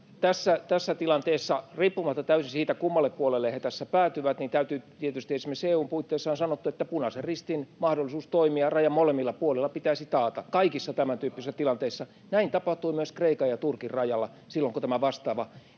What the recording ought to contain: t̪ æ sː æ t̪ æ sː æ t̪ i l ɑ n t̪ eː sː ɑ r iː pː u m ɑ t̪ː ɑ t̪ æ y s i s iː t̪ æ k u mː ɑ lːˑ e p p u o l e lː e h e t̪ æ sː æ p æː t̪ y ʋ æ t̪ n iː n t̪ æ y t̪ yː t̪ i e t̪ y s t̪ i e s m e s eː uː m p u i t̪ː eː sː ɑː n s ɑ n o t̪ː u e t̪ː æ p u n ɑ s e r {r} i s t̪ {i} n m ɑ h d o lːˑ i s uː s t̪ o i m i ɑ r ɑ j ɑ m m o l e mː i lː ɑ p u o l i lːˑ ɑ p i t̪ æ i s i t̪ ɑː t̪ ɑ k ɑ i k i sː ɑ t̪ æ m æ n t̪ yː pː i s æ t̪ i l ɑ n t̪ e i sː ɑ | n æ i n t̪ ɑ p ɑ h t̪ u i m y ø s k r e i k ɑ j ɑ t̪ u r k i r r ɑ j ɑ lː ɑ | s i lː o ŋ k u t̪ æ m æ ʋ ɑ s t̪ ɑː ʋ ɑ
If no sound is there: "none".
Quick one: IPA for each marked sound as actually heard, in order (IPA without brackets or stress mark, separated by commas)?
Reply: r, i